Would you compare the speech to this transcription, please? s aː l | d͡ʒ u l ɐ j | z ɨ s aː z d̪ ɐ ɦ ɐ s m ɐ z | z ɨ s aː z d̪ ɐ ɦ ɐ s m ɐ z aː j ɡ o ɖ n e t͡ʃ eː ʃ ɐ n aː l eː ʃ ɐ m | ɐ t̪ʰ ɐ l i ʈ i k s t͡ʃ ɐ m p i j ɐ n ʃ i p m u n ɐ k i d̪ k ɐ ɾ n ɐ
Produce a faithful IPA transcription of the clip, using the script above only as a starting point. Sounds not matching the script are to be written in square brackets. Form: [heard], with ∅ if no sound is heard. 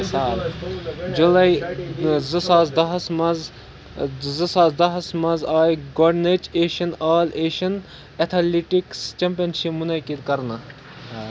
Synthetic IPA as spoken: s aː l | d͡ʒ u l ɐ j | z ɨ s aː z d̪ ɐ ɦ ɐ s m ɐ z | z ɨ s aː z d̪ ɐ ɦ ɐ s m ɐ z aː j ɡ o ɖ n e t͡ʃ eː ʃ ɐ n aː l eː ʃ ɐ [n] | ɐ t̪ʰ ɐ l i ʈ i k s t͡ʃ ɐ m p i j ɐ n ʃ i p m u n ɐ k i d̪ k ɐ ɾ n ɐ